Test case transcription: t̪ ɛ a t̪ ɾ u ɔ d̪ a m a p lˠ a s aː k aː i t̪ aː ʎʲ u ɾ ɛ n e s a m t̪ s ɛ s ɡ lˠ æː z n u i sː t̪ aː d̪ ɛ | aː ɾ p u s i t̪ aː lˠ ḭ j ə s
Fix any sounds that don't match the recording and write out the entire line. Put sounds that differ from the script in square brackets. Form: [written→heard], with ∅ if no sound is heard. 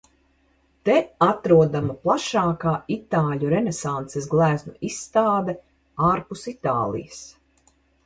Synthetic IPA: t̪ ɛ a t̪ ɾ u ɔ d̪ a m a p lˠ a [s→ʃ] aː k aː i t̪ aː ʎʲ u ɾ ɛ n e s a [m→n] t̪ s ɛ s ɡ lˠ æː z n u i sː t̪ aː d̪ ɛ | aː ɾ p u s i t̪ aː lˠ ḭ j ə s

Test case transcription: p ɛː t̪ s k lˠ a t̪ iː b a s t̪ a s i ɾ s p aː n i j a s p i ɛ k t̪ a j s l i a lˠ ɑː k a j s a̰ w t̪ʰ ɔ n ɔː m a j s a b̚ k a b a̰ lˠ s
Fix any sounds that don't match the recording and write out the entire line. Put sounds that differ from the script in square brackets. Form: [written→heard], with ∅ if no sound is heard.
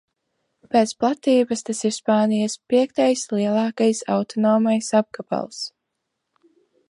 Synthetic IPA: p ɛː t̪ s [k→p] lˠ a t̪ iː b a s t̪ a s i ɾ s p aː n i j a s p i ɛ k t̪ a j s l i [a→ɛ] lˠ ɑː k a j s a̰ w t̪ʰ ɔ n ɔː m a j s a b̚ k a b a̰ lˠ s

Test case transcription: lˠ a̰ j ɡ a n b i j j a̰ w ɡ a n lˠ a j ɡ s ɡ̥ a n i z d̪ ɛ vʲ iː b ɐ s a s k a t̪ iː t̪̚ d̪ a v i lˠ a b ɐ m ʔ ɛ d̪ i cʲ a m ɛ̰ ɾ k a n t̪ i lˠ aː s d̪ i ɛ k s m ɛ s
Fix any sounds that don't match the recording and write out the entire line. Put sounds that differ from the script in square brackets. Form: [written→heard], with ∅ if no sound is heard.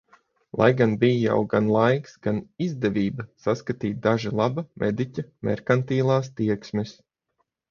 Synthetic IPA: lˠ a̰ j ɡ a n b i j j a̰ w ɡ a n lˠ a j [ɡ→k] s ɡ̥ a n i z d̪ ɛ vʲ iː b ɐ s a s k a t̪ iː t̪̚ d̪ a [v→ʒ] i lˠ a b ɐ m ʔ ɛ d̪ i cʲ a m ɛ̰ ɾ k a n t̪ [i→iː] lˠ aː s [d̪→t̪] i ɛ k s m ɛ s

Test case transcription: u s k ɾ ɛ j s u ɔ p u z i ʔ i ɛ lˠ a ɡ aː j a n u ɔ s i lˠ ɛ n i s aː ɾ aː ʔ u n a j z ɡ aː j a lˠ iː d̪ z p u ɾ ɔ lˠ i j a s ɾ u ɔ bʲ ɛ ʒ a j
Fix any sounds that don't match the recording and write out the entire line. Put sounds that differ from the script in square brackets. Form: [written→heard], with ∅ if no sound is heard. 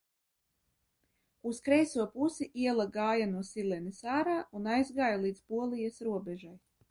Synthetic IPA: u s k ɾ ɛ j s u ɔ p u [z→s] i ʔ i ɛ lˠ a ɡ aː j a n u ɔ s i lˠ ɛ n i s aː ɾ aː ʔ u n a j z ɡ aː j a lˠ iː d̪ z p u [ɾ→∅] ɔ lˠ i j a s ɾ u ɔ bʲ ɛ ʒ a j

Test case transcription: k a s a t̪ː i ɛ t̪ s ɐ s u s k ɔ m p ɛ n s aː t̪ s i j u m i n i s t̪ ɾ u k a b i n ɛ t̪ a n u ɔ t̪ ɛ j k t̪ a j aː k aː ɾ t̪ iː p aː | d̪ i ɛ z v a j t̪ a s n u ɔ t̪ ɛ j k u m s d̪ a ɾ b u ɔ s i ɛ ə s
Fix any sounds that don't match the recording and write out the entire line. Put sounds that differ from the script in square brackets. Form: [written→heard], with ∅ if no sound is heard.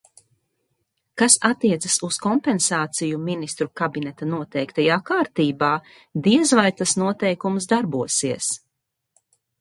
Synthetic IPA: k a s a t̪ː i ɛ t̪ s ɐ s u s k ɔ m p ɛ n s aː t̪ s i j u m i n i s t̪ ɾ u k a b i n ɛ t̪ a n u ɔ t̪ ɛ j k t̪ a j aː k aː ɾ t̪ iː [p→b] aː | d̪ i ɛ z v a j t̪ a s n u ɔ t̪ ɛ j k u m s d̪ a ɾ b u ɔ s i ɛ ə s

